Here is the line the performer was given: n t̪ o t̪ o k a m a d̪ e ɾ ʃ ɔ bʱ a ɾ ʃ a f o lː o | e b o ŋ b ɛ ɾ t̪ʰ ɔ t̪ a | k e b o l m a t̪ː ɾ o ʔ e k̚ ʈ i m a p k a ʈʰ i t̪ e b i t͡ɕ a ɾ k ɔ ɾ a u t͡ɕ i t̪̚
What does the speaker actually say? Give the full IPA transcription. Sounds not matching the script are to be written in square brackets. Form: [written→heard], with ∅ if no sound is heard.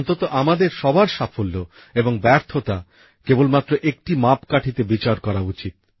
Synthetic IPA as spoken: n t̪ o t̪ o [k→ʔ] a m a d̪ e ɾ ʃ ɔ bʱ a ɾ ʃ a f o lː o | e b o ŋ b ɛ ɾ t̪ʰ [ɔ→o] t̪ a | k e b o l m a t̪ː ɾ o ʔ e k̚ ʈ i m a p k a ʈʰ i t̪ e b i t͡ɕ a ɾ k ɔ ɾ a u t͡ɕ i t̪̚